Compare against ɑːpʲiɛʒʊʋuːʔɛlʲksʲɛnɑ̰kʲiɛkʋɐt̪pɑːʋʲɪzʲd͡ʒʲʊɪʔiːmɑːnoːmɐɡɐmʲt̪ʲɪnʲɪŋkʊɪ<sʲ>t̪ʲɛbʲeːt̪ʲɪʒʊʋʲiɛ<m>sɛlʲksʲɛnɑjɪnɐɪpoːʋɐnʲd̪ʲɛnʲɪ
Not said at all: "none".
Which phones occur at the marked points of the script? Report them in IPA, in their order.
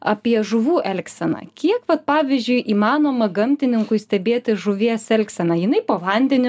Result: sʲ, none

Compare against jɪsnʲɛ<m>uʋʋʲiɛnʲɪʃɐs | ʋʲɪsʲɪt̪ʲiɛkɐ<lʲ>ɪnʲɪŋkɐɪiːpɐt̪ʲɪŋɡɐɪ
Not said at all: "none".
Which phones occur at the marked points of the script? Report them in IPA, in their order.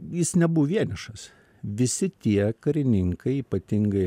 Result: b, ɾʲ

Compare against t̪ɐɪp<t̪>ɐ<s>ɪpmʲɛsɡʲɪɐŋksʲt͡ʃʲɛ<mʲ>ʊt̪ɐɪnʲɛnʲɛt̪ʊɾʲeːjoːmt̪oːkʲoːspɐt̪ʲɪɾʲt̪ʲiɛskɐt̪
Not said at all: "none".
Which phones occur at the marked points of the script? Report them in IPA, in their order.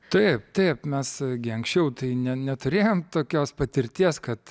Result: t̪, none, none

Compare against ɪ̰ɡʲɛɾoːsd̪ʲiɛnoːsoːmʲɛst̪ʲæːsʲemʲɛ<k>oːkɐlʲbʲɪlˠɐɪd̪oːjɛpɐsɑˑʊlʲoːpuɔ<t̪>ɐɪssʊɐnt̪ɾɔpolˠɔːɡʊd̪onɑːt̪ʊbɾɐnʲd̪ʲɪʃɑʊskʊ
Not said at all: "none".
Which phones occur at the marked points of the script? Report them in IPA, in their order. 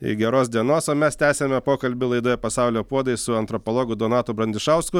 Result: p, d̪

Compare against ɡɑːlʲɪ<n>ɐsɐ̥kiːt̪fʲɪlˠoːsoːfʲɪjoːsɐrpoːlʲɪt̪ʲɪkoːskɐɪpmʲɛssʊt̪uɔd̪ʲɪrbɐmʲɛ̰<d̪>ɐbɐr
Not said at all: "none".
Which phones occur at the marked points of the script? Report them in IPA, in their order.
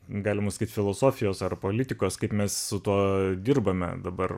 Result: m, d̪

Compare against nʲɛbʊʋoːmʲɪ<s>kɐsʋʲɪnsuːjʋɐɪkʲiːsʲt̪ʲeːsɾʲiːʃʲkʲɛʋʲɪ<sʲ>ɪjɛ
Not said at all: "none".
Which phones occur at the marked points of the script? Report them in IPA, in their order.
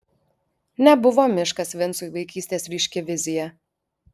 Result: ʃ, zʲ

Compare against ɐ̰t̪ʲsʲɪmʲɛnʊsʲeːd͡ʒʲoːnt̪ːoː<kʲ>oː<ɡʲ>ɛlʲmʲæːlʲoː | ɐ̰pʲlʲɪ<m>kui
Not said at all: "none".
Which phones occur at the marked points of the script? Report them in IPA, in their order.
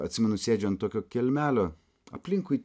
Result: kʲ, kʲ, ŋ

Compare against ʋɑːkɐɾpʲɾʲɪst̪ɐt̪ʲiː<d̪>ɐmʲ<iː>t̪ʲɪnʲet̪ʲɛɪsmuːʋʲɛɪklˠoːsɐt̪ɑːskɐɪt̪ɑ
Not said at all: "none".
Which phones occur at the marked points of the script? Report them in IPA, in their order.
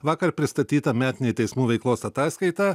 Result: t̪, æː

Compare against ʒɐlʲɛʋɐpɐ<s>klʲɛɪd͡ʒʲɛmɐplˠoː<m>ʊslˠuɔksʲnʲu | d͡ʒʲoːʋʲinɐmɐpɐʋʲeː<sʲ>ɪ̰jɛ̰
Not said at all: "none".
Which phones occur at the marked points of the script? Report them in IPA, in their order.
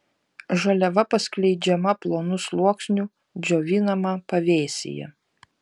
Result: s, n, sʲ

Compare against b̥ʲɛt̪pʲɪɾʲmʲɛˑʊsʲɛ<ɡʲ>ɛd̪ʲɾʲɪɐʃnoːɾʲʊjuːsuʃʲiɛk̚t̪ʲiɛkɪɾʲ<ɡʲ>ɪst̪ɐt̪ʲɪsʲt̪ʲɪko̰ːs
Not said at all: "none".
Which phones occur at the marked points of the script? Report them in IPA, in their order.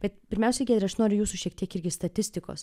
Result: ɡʲ, ɡʲ

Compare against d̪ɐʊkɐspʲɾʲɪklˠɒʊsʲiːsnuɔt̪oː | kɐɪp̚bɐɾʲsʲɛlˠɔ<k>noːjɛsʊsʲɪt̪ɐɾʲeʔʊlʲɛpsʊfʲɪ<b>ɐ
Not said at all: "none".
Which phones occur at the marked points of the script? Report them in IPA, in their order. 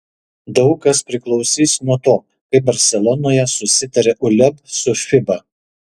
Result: none, b

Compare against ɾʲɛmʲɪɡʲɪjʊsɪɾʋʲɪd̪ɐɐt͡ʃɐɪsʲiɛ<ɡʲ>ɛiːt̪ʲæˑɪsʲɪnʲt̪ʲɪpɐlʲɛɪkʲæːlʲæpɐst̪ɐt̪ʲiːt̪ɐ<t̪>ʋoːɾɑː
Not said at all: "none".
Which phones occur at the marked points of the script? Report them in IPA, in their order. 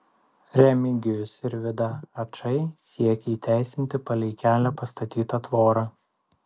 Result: kʲ, t̪

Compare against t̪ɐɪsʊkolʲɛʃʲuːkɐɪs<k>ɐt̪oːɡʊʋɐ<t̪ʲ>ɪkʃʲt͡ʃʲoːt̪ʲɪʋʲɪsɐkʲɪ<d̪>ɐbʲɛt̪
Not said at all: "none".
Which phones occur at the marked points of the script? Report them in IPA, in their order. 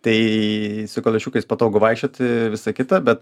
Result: p, none, t̪

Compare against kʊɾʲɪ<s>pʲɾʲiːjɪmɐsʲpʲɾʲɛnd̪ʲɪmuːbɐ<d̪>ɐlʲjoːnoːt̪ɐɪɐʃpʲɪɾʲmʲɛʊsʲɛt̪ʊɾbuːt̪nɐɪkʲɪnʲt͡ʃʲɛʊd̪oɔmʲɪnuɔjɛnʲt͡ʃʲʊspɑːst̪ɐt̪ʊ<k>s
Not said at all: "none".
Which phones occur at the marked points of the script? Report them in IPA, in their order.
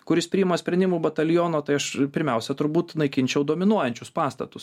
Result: s, t̪, none

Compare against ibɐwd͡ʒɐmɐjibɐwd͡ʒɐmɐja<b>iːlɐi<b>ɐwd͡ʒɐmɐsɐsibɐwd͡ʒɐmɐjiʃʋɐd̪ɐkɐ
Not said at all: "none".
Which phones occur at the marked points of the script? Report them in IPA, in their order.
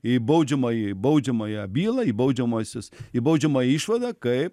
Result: b, b

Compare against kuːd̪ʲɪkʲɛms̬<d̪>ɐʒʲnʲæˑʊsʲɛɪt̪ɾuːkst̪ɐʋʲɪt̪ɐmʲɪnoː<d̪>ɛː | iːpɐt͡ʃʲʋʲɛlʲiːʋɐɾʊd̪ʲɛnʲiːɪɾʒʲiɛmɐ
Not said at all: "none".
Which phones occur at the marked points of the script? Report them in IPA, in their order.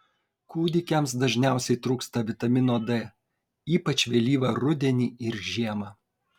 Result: d̪, d̪

